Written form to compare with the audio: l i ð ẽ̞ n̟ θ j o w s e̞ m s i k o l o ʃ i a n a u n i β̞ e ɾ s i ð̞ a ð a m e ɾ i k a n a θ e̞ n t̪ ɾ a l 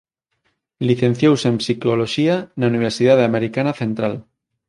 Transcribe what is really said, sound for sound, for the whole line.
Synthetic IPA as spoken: l i θ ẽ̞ n̟ θ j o w s e̞ m s i k o l o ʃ i a n a u n i β̞ e ɾ s i ð̞ a ð a m e ɾ i k a n a θ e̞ n t̪ ɾ a l